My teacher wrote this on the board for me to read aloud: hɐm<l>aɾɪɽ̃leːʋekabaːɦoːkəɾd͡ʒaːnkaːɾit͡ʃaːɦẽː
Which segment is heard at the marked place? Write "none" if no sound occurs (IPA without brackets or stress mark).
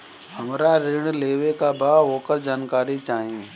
ɾ